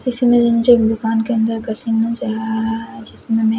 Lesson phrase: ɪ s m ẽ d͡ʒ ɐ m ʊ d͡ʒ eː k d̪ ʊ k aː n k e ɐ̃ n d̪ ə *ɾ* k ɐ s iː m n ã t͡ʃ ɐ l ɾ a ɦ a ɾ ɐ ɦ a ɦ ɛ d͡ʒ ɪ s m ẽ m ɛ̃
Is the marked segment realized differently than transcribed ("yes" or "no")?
no